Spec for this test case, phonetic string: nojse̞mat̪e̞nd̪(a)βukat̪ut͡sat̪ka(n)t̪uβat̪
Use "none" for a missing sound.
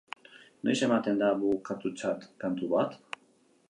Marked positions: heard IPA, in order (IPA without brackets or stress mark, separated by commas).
a, n